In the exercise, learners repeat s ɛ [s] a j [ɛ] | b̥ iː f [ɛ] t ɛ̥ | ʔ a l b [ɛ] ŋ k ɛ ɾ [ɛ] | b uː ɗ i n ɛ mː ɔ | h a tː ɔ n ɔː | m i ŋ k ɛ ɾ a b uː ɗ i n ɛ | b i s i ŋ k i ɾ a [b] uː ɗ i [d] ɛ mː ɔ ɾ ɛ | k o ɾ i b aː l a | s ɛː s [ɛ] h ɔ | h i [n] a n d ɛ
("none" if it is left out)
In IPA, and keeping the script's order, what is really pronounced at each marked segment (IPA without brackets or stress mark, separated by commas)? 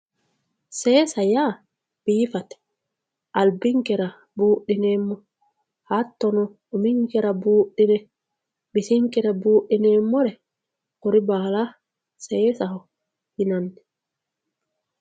s, a, a, i, a, b, n, a, n